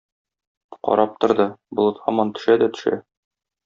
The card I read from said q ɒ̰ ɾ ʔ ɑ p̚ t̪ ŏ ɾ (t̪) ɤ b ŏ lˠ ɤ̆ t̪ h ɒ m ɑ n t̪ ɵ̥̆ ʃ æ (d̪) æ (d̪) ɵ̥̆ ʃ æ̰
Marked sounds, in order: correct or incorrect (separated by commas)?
incorrect, correct, incorrect